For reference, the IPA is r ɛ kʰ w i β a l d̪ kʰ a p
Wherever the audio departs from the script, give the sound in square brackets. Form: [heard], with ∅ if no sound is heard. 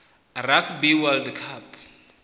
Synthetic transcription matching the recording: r [a] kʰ [b] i [w] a l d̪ kʰ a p